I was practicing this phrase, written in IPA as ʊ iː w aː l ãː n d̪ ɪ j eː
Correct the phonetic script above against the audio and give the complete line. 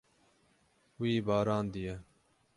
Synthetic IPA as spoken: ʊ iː b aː ɾ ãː n d̪ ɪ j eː